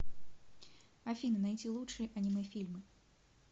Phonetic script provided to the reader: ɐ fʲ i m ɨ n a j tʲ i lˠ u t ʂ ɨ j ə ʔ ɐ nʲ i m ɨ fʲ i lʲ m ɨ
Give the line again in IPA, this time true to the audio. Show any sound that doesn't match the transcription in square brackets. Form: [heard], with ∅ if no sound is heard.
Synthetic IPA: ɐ fʲ i [n] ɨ n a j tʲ i lˠ u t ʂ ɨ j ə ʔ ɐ nʲ i m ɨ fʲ i lʲ m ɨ